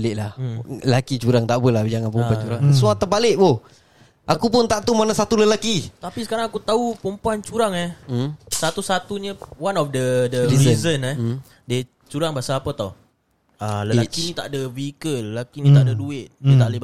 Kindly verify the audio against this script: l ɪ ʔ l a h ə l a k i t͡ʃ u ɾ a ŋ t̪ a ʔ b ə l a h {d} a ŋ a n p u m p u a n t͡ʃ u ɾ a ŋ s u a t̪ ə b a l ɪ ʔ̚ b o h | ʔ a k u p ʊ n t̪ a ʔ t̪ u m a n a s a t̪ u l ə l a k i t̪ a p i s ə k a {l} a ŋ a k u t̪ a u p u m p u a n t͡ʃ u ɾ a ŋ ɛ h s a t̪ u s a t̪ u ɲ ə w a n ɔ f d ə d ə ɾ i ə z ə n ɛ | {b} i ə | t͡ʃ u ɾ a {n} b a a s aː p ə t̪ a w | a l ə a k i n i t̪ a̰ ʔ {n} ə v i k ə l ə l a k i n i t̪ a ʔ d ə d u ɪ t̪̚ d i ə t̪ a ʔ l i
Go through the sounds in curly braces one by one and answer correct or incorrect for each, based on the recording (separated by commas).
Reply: incorrect, incorrect, incorrect, incorrect, incorrect